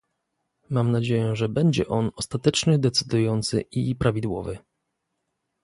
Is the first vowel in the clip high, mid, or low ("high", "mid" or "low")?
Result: low